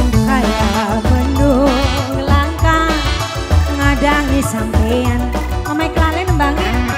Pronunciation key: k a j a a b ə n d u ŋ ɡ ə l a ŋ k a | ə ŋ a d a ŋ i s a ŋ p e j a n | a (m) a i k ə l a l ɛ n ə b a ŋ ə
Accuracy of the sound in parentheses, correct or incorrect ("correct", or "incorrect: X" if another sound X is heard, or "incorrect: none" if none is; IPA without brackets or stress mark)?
correct